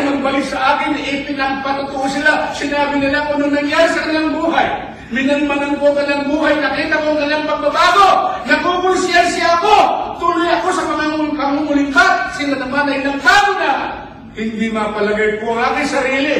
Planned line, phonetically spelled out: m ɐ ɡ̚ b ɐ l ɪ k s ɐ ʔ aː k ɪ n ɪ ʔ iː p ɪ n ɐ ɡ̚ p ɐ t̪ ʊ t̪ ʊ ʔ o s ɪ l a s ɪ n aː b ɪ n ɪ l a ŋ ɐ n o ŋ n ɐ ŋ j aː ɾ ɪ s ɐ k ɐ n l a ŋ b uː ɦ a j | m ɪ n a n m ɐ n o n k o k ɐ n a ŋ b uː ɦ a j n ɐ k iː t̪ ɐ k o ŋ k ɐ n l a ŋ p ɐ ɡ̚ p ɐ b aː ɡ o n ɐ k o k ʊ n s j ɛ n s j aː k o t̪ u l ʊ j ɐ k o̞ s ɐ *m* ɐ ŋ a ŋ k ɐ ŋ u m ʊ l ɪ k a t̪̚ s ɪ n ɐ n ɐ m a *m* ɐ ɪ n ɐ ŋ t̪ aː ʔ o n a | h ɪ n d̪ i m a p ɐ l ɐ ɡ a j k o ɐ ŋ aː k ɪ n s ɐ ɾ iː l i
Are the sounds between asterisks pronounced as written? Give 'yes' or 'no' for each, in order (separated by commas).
yes, no